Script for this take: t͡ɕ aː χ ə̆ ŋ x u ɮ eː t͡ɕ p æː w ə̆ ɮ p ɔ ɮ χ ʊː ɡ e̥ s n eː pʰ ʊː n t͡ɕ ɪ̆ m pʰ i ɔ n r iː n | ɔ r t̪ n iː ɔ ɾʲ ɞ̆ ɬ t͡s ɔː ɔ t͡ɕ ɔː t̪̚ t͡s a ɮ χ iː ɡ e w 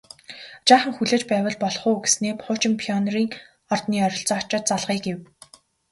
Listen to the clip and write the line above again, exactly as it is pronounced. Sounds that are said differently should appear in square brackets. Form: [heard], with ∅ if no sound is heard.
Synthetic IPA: t͡ɕ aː χ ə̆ ŋ x u ɮ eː t͡ɕ p æː w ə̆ ɮ p ɔ ɮ χ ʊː ɡ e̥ s n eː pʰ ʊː [∅] t͡ɕ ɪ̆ m pʰ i ɔ n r iː [ŋ] | ɔ r t̪ n iː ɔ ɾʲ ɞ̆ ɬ t͡s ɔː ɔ t͡ɕ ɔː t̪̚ t͡s a ɮ [ʁ] iː ɡ e w